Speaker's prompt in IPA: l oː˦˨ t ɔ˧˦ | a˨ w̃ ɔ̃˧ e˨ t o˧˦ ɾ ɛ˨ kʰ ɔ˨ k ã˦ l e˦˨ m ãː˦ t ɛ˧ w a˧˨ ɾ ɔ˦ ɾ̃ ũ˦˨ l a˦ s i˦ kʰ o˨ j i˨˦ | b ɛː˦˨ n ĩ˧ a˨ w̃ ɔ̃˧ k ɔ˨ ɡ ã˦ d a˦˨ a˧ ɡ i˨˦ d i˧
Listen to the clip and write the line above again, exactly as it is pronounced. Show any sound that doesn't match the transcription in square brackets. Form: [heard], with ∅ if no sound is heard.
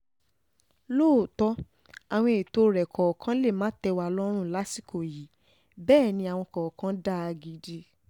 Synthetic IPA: l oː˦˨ t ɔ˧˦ | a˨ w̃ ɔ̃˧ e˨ t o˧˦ ɾ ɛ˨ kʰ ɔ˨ k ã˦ l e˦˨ m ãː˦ t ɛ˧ w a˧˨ [l] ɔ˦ ɾ̃ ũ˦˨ l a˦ s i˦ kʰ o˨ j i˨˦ | b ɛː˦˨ n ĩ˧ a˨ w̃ ɔ̃˧ k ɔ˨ [k] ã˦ d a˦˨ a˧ ɡ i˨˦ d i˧